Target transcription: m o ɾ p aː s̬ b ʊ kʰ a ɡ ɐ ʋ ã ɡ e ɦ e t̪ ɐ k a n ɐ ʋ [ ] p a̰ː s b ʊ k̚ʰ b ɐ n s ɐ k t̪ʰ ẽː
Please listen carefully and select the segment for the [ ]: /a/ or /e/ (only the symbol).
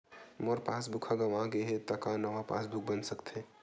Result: a